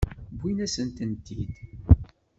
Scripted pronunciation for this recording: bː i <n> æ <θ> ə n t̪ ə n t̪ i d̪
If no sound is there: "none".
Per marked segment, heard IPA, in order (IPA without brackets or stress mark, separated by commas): n, s